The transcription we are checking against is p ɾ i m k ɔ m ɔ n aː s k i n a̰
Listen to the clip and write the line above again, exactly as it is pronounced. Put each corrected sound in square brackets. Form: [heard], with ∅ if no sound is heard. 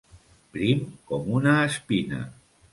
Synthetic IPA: p ɾ i m k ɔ m [u] n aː s [p] i n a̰